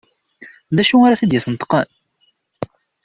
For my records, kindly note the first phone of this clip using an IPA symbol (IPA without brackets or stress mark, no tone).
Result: ð